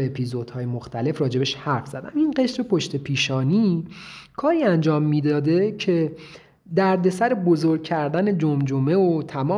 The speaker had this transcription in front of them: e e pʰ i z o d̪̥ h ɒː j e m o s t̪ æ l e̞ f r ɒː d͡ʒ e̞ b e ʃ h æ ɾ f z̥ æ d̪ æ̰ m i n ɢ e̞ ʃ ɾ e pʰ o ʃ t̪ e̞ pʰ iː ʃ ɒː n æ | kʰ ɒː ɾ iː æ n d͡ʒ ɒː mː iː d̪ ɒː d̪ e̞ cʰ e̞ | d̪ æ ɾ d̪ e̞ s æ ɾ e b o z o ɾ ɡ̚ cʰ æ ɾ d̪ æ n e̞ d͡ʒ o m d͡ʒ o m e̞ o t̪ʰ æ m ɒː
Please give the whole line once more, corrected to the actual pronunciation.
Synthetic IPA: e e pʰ i z o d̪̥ h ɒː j e m o x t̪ æ l e̞ f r ɒː d͡ʒ e̞ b e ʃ h æ ɾ f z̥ æ d̪ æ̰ m i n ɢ e̞ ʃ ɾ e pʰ o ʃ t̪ e̞ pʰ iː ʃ ɒː n i | kʰ ɒː ɾ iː æ n d͡ʒ ɒː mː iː d̪ ɒː d̪ e̞ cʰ e̞ | d̪ æ ɾ d̪ e̞ s æ ɾ e b o z o ɾ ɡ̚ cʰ æ ɾ d̪ æ n e̞ d͡ʒ o m d͡ʒ o m e̞ o t̪ʰ æ m ɒː